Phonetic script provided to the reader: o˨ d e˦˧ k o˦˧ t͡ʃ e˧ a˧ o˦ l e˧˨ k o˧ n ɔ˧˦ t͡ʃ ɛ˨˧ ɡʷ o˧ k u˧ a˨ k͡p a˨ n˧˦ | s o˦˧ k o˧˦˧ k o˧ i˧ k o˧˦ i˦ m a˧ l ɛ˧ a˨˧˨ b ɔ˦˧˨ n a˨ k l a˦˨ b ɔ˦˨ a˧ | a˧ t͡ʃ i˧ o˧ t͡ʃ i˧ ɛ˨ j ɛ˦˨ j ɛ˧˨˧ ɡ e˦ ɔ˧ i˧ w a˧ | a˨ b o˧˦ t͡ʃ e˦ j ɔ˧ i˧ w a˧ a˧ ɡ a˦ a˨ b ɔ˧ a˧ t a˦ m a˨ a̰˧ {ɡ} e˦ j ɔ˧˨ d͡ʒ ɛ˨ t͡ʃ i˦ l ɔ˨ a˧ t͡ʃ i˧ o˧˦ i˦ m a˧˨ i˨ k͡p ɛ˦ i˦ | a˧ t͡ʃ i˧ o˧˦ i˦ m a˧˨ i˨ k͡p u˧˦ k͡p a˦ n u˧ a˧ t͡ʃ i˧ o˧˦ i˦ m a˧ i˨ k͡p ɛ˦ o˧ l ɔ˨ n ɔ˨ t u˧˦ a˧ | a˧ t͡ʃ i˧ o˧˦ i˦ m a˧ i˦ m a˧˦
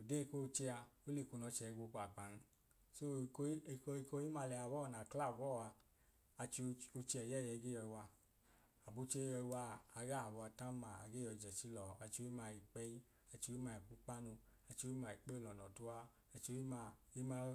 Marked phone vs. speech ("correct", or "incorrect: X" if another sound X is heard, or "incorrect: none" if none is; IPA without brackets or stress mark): correct